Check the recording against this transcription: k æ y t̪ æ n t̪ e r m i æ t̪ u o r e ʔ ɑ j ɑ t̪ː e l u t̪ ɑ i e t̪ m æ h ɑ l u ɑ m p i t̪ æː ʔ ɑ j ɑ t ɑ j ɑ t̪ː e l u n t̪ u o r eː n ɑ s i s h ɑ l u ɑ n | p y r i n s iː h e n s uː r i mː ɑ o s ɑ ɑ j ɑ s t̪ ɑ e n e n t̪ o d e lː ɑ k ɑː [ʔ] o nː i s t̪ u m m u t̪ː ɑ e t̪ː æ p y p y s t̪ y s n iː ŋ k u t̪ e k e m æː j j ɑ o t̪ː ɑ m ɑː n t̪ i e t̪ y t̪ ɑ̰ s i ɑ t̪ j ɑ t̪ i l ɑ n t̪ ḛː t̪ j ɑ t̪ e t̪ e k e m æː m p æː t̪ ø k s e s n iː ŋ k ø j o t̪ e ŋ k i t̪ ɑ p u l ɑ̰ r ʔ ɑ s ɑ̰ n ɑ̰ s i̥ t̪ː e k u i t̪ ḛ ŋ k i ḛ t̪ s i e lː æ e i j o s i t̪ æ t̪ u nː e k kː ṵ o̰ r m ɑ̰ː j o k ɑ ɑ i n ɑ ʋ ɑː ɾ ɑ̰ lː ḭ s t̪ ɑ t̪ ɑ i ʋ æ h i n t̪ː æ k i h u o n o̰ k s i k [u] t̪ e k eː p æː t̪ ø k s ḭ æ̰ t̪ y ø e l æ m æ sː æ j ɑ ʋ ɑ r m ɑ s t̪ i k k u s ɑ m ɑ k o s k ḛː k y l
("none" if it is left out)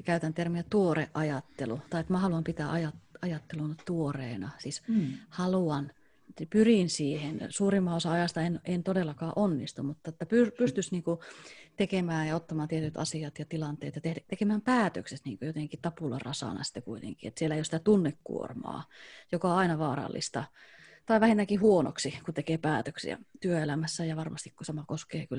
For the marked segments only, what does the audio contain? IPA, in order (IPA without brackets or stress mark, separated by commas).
ʔ, u